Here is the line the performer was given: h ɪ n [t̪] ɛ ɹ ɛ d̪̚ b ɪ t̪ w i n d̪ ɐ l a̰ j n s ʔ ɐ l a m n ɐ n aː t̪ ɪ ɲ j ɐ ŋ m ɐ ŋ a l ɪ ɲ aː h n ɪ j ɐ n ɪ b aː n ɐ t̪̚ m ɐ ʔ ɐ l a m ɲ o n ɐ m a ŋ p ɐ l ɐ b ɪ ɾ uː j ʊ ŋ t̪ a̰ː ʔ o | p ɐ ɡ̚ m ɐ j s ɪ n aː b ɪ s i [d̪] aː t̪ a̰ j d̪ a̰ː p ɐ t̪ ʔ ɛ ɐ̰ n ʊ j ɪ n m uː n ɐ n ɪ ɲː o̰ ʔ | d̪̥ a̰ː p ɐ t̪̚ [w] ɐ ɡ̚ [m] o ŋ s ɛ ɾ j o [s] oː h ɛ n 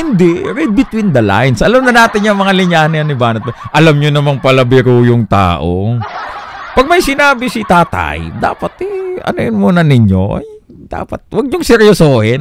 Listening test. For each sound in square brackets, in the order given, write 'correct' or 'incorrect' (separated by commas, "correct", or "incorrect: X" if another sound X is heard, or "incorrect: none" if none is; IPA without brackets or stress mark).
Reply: incorrect: d̪, incorrect: t̪, correct, incorrect: ɲ, correct